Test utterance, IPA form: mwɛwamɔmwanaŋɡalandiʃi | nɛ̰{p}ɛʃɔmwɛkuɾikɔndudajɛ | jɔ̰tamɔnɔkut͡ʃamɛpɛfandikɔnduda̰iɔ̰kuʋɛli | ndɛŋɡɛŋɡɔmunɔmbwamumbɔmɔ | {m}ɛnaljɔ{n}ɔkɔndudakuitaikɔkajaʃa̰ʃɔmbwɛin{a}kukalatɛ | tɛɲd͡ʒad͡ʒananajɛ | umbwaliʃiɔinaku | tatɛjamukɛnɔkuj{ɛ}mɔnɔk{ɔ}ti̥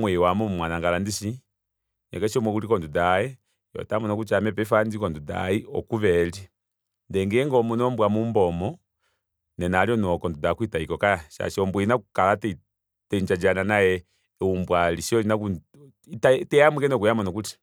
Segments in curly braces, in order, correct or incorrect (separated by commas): incorrect, incorrect, correct, correct, incorrect, incorrect